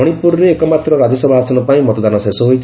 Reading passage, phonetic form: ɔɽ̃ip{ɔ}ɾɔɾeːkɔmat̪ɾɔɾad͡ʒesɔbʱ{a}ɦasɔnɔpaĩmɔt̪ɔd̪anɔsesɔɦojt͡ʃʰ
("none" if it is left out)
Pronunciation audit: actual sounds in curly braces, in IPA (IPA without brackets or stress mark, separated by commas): u, a